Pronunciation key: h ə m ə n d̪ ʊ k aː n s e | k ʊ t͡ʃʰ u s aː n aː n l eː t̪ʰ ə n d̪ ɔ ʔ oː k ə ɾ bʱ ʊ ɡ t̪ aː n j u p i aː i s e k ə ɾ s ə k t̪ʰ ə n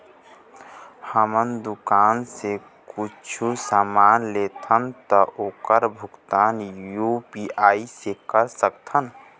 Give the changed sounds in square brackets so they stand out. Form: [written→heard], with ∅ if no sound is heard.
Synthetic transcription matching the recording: h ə m ə n d̪ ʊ k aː n s e | k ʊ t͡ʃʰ u s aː [n→m] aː n l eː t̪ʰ ə n [d̪→t̪] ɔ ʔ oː k ə ɾ bʱ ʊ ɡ t̪ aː n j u p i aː i s e k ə ɾ s ə k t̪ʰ ə n